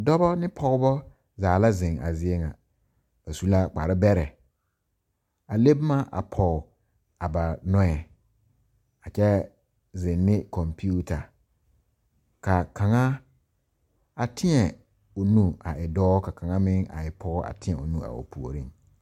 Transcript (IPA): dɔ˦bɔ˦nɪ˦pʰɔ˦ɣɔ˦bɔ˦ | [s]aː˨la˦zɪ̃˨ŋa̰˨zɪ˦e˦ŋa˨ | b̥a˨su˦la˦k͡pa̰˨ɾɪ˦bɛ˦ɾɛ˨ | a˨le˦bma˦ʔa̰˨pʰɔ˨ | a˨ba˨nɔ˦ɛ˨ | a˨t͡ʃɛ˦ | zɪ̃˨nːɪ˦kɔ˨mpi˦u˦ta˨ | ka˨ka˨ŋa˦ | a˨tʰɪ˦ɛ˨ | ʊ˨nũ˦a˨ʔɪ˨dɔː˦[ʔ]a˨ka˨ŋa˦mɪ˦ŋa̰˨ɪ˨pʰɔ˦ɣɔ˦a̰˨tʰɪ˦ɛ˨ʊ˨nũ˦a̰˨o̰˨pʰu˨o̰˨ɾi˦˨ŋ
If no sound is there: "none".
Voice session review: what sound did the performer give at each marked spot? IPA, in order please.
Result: z, k

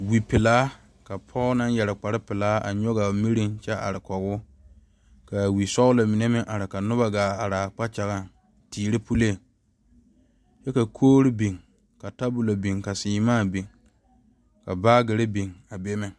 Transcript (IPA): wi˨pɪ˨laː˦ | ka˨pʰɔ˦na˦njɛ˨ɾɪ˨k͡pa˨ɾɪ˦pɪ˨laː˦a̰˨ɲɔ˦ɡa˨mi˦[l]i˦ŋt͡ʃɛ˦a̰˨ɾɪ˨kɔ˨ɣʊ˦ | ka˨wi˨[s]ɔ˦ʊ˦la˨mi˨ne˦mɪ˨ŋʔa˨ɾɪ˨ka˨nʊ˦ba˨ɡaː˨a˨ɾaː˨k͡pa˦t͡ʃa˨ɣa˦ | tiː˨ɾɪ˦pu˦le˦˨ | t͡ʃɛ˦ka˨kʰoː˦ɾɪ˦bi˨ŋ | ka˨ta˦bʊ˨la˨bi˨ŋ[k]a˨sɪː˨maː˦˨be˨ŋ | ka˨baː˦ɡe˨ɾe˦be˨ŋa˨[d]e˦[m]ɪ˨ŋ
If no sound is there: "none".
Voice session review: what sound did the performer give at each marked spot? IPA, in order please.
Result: ɾ, s, k, b, m

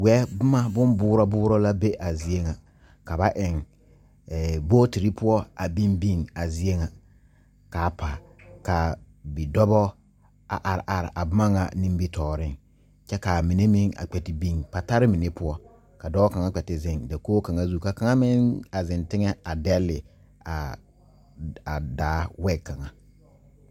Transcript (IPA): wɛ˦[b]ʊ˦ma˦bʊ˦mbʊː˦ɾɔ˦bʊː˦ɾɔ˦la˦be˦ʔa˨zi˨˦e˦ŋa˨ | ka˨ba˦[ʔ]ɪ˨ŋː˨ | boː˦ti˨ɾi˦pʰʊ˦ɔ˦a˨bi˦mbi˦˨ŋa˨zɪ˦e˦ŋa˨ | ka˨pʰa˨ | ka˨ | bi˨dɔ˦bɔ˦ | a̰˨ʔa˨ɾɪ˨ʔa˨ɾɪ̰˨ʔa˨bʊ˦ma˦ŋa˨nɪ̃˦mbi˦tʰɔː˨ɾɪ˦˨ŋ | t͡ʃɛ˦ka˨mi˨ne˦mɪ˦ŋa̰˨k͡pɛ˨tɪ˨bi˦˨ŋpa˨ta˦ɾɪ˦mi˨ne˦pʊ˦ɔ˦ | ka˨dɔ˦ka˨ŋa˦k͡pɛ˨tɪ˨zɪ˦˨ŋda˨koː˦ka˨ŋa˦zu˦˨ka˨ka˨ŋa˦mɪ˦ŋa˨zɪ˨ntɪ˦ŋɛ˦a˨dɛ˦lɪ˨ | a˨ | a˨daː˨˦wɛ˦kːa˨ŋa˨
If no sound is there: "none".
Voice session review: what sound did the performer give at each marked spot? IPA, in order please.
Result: b, ʔ

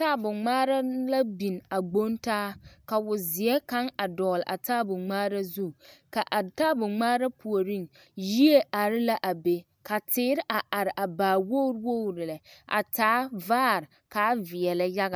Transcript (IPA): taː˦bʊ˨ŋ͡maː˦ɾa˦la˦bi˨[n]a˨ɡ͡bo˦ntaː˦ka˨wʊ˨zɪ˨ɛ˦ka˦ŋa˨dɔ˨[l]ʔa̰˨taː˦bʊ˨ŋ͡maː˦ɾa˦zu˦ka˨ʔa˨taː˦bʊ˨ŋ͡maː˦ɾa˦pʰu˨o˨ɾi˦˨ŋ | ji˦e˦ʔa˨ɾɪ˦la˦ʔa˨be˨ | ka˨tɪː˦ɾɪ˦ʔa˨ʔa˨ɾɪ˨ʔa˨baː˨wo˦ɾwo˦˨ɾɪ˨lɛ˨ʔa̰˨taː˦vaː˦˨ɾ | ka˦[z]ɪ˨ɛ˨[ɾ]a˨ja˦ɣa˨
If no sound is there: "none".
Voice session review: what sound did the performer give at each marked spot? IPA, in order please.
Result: n, l, v, l

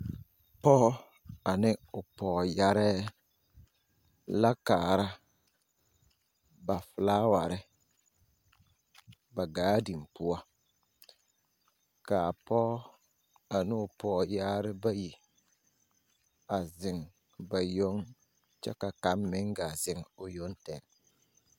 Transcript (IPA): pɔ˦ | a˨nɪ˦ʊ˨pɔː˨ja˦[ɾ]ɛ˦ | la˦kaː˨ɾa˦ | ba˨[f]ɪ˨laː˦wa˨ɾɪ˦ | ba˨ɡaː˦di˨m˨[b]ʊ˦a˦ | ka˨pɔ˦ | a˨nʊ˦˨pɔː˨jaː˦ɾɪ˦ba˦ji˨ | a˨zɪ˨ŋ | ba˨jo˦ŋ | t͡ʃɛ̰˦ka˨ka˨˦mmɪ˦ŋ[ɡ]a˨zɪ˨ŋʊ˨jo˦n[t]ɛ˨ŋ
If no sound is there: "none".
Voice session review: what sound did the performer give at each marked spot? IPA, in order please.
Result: ɾ, f, p, ɡ, t

